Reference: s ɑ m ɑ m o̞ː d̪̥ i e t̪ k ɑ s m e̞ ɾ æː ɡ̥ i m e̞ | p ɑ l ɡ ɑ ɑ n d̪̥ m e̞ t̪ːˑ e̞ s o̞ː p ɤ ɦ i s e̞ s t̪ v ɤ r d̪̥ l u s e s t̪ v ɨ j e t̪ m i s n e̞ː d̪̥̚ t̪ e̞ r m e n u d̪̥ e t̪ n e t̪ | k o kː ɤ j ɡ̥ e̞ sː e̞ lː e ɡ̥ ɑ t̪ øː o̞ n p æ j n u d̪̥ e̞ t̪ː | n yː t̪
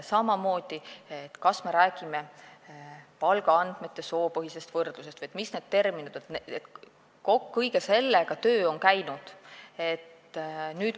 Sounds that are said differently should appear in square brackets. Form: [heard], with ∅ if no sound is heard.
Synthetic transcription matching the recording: s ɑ m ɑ m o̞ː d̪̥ i e t̪ k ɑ s m e̞ ɾ æː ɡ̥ i m e̞ | p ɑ l ɡ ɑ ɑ n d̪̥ m e̞ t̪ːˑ e̞ s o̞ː p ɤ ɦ i s e̞ s t̪ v ɤ r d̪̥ l u s e s t̪ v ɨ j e t̪ m i s n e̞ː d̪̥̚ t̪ e̞ r m [i] n u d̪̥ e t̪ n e t̪ | k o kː ɤ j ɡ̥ e̞ [s] e̞ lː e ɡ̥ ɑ t̪ øː o̞ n [k] æ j n u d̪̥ e̞ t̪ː | n yː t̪